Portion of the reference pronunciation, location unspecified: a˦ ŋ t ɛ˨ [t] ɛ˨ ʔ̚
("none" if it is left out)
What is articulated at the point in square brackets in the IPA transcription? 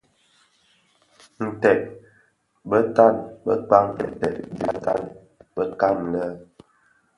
t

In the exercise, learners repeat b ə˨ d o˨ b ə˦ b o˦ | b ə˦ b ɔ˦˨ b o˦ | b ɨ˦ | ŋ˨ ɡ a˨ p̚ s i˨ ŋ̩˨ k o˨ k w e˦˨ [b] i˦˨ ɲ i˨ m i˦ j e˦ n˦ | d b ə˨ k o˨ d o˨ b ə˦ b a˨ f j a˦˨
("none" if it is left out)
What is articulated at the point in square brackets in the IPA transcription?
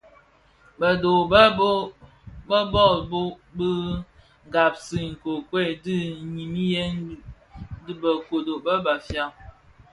d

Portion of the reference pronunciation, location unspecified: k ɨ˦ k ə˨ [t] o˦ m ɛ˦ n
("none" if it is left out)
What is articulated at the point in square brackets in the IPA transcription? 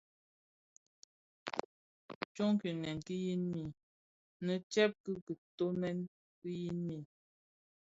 t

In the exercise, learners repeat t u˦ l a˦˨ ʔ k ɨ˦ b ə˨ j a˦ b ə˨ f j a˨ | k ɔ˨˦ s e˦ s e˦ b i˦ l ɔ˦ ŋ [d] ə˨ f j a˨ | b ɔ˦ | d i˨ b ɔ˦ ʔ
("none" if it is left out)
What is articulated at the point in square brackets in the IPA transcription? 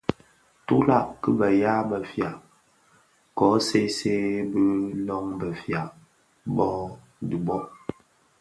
b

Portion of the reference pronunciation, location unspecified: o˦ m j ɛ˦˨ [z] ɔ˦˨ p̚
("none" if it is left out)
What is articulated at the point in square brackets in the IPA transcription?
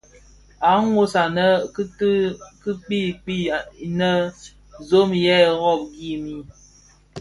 ɣ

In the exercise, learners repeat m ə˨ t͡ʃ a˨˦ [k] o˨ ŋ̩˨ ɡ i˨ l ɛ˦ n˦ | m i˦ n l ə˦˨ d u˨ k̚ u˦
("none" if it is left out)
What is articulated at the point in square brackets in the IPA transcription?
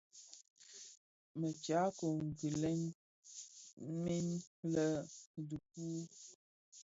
k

